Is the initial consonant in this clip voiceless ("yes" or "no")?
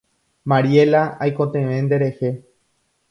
no